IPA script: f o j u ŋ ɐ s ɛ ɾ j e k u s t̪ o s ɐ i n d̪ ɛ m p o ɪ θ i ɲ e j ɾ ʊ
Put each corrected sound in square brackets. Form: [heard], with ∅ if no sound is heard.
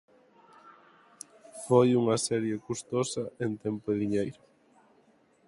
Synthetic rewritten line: f o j u ŋ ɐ s ɛ ɾ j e k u s t̪ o s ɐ [e] n [t̪] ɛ m p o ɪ [ð] i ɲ e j ɾ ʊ

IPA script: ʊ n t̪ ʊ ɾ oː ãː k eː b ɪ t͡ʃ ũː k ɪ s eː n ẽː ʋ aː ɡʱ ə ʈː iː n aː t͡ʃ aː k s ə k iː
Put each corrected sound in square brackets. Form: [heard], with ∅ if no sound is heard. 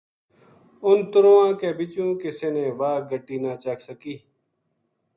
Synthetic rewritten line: ʊ n t̪ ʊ ɾ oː ãː k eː b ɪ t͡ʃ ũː k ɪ s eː n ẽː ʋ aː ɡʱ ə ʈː iː n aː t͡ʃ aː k s ə k iː

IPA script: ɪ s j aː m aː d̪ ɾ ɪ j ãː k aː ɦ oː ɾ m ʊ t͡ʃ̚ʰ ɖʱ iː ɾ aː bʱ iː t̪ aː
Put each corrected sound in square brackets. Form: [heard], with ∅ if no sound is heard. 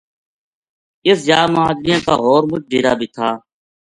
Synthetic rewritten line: ɪ s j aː m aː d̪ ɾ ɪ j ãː k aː ɦ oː ɾ m ʊ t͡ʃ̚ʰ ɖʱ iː ɾ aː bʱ iː [t̪ʰ] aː

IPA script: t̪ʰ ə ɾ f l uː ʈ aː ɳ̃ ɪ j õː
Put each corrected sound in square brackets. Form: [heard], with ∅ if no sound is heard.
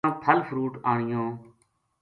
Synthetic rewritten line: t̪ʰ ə [l] f [ɾ] uː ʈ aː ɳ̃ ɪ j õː

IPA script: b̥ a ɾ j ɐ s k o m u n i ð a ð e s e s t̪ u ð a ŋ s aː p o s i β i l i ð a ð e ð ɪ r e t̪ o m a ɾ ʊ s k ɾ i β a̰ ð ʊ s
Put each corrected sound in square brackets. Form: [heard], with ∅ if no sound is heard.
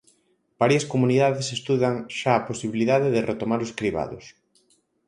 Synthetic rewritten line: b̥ a ɾ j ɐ s k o m u n i ð a ð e s e s t̪ u ð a ŋ [ʃ] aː p o s i β i l i ð a ð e ð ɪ r e t̪ o m a ɾ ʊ s k ɾ i β a̰ ð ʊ s

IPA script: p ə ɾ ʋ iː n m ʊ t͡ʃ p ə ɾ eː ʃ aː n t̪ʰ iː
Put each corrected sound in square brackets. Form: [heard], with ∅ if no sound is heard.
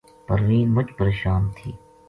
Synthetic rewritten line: p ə ɾ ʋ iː n m ʊ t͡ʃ p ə ɾ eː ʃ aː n t̪ʰ iː

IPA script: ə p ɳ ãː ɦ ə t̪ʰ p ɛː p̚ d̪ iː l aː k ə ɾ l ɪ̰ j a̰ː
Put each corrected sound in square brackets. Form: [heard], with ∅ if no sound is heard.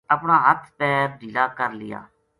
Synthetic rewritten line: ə p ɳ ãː ɦ ə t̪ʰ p ɛː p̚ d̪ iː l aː k ə ɾ l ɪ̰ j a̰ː

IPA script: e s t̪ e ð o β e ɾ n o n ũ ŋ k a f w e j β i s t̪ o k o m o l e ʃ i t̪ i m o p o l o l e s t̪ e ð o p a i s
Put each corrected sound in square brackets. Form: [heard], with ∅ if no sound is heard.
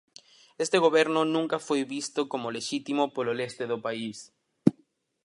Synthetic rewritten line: e s t̪ e [ɣ] o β e ɾ n o n ũ ŋ k a f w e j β i s t̪ o k o m o l e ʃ i t̪ i m o p o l o l e s t̪ e ð o p a i s

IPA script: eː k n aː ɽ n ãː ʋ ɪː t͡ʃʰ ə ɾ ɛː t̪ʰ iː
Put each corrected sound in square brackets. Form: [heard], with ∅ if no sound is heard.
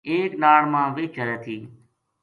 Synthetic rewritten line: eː k n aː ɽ [m] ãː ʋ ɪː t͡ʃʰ ə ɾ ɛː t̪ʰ iː

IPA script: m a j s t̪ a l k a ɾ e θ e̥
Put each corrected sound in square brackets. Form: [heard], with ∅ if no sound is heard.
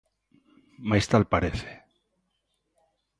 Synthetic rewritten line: m a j s t̪ a l [p] a ɾ e θ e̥

